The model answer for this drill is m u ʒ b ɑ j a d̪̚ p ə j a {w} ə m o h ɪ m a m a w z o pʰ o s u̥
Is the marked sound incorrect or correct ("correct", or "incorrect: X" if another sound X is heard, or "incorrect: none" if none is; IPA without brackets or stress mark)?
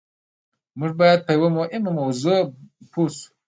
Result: correct